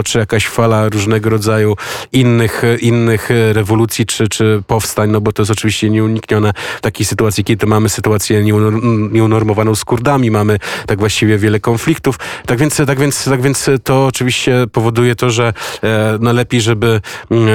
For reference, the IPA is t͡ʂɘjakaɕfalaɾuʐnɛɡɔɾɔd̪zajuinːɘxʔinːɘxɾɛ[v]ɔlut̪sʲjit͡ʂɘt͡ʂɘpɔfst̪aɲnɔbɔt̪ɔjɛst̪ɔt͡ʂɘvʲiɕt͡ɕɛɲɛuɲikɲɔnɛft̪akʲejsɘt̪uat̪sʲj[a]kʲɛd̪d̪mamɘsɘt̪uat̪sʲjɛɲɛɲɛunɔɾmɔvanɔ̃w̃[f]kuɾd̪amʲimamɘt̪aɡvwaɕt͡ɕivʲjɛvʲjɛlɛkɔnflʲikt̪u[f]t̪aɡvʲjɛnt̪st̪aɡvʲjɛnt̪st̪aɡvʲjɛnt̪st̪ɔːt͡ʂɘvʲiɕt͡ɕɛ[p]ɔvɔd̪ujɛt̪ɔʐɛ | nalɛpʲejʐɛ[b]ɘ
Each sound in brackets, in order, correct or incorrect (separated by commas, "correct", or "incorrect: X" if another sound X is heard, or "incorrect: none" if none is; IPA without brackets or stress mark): correct, incorrect: i, incorrect: s, correct, correct, correct